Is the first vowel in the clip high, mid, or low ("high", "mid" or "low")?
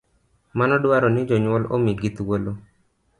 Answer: low